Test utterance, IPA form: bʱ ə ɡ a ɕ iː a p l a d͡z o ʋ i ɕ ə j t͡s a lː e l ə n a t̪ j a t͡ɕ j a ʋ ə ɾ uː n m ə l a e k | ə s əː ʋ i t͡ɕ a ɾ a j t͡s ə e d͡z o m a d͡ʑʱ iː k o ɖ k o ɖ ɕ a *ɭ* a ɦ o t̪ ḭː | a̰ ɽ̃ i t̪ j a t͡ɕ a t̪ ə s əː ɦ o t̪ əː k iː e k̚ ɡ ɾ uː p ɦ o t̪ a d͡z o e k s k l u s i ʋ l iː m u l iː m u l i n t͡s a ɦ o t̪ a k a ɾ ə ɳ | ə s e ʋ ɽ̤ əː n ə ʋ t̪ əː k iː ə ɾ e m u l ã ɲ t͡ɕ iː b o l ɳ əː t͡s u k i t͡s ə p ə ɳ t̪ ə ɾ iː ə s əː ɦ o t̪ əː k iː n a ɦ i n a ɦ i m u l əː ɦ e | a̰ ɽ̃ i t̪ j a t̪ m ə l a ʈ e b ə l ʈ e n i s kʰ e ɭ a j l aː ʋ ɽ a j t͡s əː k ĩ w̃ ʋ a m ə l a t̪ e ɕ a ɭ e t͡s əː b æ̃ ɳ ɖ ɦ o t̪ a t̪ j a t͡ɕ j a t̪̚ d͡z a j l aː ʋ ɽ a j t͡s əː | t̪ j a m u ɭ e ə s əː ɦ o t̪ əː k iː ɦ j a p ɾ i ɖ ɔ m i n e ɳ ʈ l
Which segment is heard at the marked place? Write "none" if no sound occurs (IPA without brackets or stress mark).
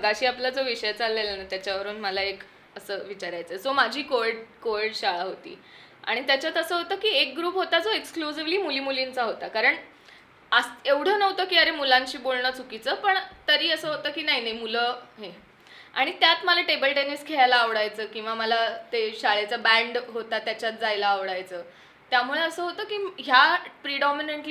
ɭ